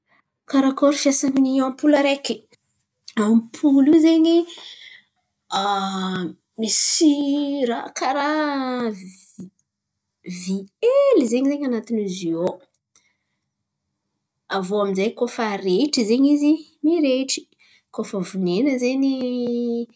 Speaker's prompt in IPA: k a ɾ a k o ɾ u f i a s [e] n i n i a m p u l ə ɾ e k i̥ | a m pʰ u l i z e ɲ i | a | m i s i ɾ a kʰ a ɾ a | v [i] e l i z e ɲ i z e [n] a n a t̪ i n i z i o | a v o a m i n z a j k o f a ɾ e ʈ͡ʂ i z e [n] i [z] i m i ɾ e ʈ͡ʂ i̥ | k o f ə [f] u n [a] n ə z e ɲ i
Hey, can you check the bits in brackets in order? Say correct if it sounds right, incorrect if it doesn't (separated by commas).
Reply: incorrect, correct, incorrect, incorrect, correct, incorrect, incorrect